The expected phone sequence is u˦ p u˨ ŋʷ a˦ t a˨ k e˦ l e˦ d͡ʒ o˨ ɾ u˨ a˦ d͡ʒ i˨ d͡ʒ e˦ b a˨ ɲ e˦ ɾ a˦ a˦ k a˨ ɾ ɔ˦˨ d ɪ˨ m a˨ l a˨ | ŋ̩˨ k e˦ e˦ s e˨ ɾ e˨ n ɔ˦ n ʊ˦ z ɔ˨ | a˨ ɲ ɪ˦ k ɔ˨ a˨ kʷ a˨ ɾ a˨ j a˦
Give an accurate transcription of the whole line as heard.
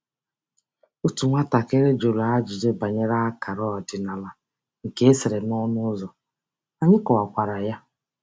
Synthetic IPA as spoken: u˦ t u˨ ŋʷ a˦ t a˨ k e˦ ɾ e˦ d͡ʒ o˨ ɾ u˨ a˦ d͡ʒ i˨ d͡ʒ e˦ b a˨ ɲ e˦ ɾ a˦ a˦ k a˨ ɾ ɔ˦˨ d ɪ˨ n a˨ l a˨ | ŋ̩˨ k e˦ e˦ s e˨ ɾ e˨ n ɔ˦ n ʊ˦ z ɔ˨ | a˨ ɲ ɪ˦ k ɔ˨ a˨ kʷ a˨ ɾ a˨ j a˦